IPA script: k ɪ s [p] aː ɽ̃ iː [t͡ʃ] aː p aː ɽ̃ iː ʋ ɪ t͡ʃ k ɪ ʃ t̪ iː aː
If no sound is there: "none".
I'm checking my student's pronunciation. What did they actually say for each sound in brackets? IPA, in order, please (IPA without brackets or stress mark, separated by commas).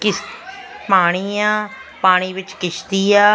p, none